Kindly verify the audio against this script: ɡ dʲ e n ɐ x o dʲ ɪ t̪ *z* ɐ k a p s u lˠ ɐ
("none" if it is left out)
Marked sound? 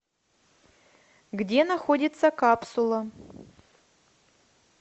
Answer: s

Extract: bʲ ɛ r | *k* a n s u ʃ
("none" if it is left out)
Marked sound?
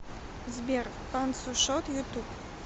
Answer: p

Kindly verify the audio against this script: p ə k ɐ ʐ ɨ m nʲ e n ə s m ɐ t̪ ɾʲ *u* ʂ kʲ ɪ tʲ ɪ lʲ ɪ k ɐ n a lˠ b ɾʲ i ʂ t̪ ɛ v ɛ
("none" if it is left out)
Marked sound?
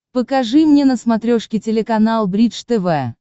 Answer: o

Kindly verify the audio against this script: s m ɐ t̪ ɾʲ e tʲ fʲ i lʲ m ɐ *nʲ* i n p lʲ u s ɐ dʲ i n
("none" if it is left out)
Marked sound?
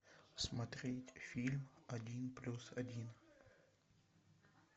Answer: dʲ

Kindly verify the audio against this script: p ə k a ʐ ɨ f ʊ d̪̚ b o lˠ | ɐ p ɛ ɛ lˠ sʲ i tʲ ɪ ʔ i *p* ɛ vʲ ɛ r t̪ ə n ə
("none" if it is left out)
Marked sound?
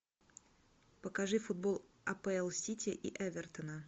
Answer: ʔ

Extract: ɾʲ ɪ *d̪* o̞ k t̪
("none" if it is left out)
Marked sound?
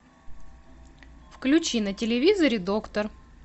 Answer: d̪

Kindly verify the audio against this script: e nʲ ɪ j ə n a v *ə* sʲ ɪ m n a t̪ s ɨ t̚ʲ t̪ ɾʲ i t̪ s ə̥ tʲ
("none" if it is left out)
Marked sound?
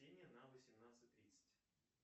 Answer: ə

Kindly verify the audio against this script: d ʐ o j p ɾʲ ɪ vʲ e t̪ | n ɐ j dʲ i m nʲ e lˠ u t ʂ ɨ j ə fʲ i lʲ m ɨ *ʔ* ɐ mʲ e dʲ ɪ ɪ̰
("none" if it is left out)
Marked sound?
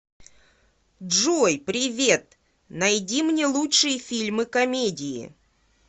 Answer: k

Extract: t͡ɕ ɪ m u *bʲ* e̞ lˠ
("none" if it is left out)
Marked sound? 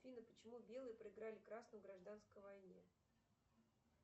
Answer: bʲ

